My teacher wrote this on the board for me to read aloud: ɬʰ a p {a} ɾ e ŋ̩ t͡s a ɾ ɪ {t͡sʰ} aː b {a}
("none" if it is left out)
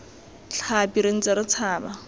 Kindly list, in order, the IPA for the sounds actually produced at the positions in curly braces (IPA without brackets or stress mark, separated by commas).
i, t͡sʰ, a